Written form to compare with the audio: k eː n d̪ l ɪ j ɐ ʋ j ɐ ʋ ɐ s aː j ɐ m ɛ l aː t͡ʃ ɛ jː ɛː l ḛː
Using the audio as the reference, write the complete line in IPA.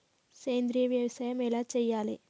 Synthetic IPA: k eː n d̪ ɾ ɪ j ɐ ʋ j ɐ ʋ ɐ s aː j ɐ m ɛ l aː t͡ʃ ɛ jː aː l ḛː

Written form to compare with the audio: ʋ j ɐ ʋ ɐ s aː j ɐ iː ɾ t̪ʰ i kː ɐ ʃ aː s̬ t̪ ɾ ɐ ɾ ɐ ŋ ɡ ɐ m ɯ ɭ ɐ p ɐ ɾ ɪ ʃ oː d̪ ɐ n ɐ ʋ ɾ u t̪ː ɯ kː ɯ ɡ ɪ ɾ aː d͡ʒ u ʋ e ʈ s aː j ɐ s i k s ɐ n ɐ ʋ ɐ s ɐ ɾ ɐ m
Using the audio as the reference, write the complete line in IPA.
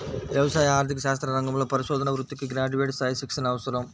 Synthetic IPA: ʋ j ɐ ʋ ɐ s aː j ɐ aː ɾ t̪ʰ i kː ɐ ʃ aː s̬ t̪ ɾ ɐ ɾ ɐ ŋ ɡ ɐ m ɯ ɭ ɐ p ɐ ɾ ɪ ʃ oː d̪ ɐ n ɐ ʋ ɾ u t̪ː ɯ kː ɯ ɡ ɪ ɾ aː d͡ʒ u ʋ e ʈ s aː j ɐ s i k s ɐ n ɐ ʋ ɐ s ɐ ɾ ɐ m

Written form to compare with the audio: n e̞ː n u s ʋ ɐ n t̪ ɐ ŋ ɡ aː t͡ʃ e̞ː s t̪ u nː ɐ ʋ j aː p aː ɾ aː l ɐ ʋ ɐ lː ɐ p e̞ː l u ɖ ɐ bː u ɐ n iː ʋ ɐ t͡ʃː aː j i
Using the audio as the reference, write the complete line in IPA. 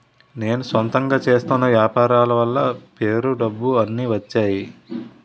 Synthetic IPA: n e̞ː n u s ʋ ɐ n t̪ ɐ ŋ ɡ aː t͡ʃ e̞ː s t̪ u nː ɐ ʋ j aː p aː ɾ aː l ɐ ʋ ɐ lː ɐ p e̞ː ɾ u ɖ ɐ bː u ɐ nː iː ʋ ɐ t͡ʃː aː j i

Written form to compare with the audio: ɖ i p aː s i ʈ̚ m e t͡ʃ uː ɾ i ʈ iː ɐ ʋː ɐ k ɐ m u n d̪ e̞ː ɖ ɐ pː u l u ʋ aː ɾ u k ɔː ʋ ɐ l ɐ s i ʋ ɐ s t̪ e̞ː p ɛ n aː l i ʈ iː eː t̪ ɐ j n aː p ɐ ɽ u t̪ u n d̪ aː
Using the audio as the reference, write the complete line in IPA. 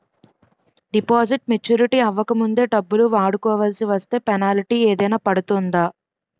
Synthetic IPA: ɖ i p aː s i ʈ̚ m e t͡ʃ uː ɾ i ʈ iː ɐ ʋː ɐ k ɐ m u n d̪ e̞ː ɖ ɐ bː u l u ʋ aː ɽ u k ɔː ʋ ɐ l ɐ s i ʋ ɐ s t̪ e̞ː p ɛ n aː l i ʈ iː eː d̪ ɐ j n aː p ɐ ɽ u t̪ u n d̪ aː

